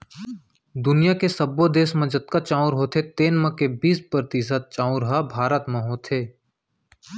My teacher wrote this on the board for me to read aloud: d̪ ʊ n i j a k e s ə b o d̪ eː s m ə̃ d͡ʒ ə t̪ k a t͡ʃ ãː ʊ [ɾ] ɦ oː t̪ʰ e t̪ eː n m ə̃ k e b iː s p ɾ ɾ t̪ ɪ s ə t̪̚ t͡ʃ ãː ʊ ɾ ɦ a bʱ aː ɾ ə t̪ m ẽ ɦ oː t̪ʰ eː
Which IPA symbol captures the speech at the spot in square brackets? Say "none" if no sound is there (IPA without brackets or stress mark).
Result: ɾ